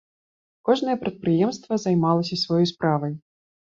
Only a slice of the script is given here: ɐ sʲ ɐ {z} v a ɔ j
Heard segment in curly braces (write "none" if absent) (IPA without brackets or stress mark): s